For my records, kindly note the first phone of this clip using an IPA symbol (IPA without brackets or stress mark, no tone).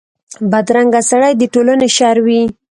b